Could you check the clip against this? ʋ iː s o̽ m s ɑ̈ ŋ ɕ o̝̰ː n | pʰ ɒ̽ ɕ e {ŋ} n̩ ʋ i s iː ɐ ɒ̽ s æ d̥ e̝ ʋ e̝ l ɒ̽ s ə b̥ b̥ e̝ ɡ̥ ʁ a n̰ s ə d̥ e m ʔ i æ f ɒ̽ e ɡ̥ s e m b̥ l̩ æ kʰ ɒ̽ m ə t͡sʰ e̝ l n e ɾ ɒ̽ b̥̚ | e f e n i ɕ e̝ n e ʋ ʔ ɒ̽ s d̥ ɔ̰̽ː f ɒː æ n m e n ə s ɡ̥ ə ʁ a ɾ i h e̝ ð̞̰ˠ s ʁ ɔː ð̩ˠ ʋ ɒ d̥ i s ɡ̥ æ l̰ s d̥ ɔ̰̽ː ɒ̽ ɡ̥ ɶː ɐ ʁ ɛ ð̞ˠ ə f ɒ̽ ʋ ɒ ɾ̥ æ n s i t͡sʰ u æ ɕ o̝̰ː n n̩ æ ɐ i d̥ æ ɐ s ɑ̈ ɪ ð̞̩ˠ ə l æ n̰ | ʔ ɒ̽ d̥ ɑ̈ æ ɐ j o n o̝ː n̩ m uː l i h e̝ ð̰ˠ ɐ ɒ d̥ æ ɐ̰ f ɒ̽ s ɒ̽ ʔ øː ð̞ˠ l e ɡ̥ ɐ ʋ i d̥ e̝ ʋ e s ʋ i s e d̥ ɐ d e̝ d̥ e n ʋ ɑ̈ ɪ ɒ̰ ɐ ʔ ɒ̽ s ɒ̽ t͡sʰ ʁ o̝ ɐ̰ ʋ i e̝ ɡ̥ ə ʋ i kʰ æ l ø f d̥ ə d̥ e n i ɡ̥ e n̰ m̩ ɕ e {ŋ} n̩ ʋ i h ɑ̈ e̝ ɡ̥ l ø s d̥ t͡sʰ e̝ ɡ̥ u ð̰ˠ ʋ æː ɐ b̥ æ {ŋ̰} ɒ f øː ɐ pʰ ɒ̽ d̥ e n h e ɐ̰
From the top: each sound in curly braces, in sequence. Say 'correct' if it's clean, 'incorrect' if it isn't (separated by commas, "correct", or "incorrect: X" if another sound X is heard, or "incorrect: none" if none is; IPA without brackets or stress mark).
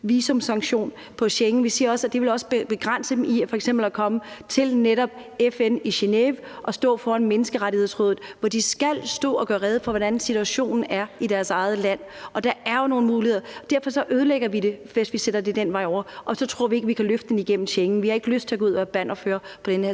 correct, correct, incorrect: n̰